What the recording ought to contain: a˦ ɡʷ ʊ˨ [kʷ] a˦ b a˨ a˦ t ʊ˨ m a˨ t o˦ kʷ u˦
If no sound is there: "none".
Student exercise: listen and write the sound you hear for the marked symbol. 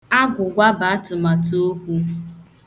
ɡʷ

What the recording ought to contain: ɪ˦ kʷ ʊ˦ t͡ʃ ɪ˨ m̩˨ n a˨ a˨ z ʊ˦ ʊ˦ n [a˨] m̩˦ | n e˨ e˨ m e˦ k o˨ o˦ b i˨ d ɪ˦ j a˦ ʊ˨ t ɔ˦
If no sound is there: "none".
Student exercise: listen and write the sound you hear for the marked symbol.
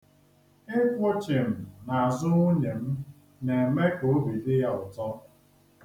e˨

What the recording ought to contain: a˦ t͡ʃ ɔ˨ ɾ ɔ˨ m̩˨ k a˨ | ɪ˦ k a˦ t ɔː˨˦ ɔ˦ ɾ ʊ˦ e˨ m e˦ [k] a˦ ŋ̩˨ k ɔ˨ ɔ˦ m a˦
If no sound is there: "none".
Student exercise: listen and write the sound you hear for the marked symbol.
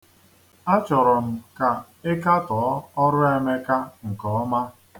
k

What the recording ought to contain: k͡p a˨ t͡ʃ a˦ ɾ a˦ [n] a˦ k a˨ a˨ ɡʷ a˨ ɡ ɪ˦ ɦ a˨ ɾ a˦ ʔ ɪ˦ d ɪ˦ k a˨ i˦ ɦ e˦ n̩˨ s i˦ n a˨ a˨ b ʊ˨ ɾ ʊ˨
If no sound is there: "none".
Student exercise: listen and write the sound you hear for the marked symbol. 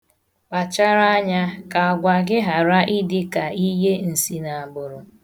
ɲ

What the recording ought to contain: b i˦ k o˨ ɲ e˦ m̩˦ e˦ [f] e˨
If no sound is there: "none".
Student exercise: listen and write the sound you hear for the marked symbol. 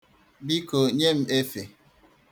f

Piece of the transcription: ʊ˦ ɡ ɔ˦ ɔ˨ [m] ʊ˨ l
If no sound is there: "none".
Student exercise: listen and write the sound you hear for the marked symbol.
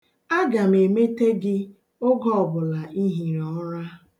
b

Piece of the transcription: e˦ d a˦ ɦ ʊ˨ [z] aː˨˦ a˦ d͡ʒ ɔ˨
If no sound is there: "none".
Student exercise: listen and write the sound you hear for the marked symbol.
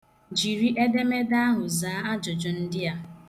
z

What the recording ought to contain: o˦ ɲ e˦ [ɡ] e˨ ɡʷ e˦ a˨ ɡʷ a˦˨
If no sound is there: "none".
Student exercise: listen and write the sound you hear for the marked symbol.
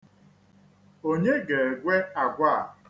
ɡ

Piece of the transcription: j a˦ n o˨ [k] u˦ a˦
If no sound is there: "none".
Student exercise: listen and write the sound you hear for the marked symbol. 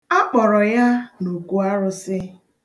k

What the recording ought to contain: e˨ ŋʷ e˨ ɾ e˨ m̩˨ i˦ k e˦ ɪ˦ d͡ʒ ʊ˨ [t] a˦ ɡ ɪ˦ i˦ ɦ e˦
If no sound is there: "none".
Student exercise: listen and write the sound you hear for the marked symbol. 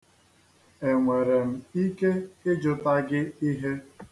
t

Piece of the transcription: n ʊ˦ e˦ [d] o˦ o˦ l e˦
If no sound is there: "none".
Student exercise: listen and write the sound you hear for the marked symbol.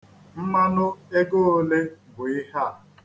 ɡ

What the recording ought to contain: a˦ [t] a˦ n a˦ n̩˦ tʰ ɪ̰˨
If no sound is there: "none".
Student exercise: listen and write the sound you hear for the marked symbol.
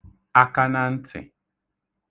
k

